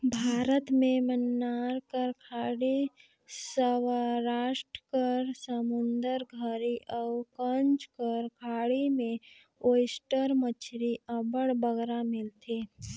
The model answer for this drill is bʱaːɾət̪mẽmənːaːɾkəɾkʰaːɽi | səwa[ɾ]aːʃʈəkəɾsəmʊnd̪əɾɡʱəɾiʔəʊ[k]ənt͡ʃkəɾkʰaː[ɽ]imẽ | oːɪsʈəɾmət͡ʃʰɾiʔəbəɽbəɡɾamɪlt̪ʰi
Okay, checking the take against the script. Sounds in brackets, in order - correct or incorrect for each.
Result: correct, correct, correct

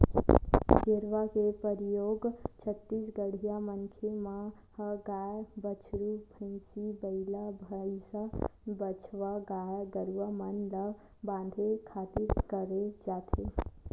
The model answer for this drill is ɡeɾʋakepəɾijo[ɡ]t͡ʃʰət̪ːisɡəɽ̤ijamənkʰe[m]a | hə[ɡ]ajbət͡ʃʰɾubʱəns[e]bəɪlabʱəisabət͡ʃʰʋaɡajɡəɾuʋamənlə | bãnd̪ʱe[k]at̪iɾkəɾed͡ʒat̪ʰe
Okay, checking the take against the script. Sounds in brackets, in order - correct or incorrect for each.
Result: correct, correct, correct, incorrect: i, incorrect: kʰ

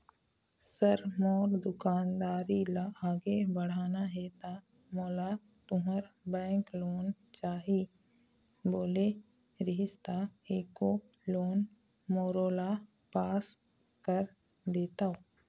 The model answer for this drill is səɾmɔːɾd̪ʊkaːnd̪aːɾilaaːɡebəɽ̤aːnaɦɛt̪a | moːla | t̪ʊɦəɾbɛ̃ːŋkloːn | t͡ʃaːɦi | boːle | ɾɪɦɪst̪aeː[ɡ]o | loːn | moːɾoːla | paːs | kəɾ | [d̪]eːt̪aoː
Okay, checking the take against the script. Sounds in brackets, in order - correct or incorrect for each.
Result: incorrect: k, correct

